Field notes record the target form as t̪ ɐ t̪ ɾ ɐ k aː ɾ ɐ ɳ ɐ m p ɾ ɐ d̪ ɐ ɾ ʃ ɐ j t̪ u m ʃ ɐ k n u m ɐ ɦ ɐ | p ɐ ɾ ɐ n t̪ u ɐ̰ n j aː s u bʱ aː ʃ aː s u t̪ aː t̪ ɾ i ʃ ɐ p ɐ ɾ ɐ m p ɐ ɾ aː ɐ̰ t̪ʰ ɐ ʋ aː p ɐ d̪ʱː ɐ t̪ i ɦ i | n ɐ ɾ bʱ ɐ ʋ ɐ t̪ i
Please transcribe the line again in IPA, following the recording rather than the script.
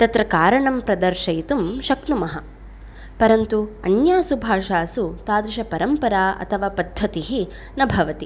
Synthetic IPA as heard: t̪ ɐ t̪ ɾ ɐ k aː ɾ ɐ ɳ ɐ m p ɾ ɐ d̪ ɐ ɾ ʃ ɐ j t̪ u m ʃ ɐ k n u m ɐ ɦ ɐ | p ɐ ɾ ɐ n t̪ u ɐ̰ n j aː s u bʱ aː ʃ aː s u t̪ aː d̪ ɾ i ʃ ɐ p ɐ ɾ ɐ m p ɐ ɾ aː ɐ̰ t̪ʰ ɐ ʋ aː p ɐ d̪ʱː ɐ t̪ i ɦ i | n ɐ bʱ ɐ ʋ ɐ t̪ i